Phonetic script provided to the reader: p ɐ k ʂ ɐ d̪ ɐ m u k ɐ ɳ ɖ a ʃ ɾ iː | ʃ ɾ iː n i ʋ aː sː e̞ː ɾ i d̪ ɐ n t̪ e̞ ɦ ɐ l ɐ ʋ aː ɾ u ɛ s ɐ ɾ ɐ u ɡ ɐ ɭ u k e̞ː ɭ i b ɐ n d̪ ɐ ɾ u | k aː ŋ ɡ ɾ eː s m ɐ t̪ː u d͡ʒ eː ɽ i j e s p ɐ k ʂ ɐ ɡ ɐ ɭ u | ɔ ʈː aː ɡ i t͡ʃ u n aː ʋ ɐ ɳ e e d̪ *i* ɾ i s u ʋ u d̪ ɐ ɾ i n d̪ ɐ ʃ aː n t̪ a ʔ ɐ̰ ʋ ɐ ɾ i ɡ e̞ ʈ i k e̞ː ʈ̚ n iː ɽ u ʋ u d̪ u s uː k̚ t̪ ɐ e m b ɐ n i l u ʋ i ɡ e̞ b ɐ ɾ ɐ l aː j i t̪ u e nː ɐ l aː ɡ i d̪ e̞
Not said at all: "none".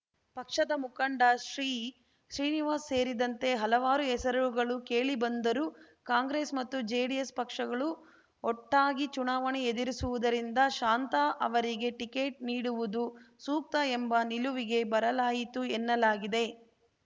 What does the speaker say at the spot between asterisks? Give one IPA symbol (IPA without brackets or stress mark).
i